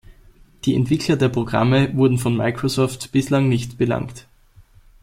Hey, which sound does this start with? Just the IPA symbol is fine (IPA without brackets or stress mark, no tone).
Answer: d̥